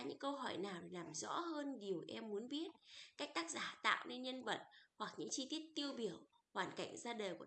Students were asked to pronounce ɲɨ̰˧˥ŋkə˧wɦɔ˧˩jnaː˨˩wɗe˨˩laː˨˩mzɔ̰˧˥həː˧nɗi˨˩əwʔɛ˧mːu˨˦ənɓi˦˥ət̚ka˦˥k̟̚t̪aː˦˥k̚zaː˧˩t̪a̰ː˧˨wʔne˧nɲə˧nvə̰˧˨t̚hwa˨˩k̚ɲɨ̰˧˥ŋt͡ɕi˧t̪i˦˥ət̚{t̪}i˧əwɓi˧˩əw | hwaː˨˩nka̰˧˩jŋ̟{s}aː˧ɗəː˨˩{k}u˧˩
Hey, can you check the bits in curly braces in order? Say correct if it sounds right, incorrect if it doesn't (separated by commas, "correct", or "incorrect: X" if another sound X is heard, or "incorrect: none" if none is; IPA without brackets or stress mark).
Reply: correct, incorrect: z, correct